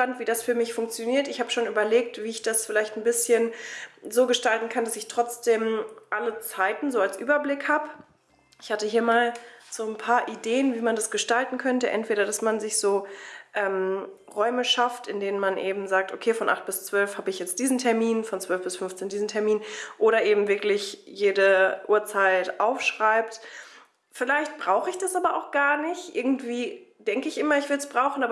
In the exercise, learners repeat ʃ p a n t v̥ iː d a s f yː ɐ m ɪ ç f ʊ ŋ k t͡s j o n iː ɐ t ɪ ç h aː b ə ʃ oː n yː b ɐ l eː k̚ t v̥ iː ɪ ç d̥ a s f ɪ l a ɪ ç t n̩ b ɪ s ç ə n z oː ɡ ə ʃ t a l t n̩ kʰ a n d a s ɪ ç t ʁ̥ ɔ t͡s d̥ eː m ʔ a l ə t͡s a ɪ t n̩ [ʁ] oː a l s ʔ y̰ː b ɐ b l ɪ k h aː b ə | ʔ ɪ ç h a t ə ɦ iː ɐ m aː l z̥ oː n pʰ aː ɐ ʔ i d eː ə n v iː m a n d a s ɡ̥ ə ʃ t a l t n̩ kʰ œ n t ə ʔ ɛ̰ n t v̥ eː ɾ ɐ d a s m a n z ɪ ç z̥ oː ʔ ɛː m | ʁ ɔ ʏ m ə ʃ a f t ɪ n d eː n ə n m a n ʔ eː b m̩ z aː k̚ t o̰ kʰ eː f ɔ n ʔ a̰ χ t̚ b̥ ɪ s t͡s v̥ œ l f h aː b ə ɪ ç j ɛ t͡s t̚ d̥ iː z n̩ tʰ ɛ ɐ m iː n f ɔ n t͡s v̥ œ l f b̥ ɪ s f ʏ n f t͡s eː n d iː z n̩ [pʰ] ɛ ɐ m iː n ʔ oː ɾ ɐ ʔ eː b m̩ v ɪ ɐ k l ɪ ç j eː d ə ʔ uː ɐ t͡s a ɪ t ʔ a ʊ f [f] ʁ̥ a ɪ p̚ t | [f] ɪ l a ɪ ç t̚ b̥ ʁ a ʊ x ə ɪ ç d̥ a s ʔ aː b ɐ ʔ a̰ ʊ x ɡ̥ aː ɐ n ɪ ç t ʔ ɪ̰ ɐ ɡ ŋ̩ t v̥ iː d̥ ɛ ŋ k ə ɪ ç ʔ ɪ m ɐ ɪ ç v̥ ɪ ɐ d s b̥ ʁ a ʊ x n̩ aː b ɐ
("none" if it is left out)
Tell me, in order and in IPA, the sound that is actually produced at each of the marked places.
z, tʰ, ʃ, f

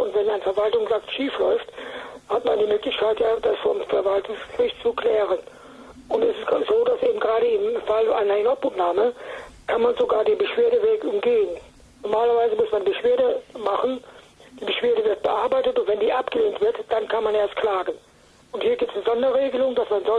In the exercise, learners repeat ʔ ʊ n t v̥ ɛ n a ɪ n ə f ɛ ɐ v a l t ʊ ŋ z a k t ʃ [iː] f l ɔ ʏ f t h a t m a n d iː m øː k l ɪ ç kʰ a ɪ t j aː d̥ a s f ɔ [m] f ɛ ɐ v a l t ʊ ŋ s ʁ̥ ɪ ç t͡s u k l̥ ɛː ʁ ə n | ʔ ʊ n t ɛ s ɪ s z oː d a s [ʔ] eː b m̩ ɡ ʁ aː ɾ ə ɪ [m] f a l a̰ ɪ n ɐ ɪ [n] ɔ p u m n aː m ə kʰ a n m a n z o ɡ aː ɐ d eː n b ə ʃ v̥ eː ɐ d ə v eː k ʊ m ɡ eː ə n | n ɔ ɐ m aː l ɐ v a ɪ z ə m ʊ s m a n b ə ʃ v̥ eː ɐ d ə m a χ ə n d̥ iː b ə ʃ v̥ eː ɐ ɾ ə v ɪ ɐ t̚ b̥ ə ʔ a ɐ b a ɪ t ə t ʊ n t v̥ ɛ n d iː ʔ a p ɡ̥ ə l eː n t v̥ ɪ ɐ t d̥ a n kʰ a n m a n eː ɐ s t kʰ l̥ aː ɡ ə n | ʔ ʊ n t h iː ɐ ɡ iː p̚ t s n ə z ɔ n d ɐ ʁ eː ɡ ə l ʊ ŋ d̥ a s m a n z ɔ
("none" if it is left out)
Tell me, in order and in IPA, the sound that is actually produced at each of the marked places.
iː, m, ʔ, m, n

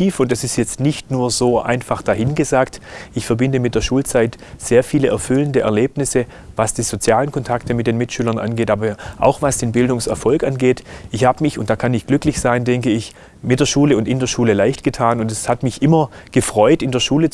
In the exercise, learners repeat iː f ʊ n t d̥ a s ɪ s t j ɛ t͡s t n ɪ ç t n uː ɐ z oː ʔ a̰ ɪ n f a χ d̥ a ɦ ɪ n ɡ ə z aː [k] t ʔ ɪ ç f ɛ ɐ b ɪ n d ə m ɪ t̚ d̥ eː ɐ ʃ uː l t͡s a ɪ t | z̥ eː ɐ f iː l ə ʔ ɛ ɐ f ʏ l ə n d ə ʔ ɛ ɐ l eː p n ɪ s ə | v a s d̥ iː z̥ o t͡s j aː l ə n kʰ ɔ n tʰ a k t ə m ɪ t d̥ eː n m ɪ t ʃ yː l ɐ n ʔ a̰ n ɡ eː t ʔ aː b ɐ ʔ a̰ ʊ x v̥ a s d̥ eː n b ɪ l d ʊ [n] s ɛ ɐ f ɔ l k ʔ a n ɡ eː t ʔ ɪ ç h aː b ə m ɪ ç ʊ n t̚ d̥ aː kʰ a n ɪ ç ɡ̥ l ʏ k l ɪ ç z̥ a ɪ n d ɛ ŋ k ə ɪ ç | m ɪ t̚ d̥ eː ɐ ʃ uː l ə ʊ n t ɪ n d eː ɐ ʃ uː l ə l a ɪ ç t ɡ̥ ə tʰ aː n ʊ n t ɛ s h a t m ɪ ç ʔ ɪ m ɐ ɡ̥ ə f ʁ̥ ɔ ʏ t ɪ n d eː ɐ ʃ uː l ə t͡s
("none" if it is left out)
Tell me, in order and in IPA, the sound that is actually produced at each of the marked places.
k, ŋ

